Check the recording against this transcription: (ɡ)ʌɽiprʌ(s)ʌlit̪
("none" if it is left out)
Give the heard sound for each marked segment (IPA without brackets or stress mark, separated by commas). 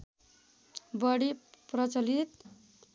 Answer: b, t͡s